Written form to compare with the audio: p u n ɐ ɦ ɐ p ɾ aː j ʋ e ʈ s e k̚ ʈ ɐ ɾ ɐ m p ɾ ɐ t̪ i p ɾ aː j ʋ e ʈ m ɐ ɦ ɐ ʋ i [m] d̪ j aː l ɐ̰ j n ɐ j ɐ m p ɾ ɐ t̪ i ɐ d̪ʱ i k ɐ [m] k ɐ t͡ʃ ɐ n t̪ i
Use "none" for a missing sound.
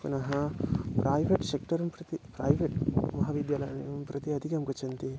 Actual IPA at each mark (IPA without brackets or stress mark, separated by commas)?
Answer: none, m